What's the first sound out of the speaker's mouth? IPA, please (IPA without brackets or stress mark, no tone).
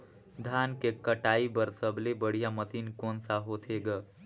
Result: d̪ʱ